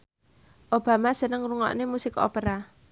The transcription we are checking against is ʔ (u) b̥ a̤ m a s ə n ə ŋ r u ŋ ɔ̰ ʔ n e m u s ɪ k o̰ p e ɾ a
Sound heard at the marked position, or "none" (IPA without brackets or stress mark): o